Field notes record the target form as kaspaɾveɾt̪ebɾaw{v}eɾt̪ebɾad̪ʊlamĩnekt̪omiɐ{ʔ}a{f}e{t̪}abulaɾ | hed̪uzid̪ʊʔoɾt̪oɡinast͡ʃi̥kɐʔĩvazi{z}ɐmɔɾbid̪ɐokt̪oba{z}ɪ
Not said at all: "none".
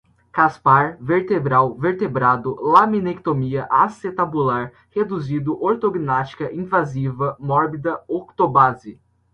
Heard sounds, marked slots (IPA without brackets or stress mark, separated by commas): v, ʔ, s, t̪, v, z